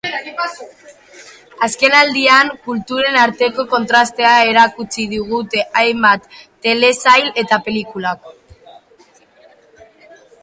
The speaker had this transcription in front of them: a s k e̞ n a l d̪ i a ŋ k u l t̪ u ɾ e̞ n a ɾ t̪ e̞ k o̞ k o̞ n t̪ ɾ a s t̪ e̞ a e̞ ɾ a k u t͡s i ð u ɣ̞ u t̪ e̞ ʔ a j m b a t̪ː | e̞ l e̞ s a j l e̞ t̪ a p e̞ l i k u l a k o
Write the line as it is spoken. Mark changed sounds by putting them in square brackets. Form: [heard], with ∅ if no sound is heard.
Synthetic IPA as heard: a s k e̞ n a l d̪ i a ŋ k u l t̪ u ɾ e̞ n a ɾ t̪ e̞ k o̞ k o̞ n t̪ ɾ a s t̪ e̞ a e̞ ɾ a k u t͡s i ð u ɣ̞ u t̪ e̞ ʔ a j m b a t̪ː | e̞ l e̞ s a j l e̞ t̪ a p e̞ l i k u l a k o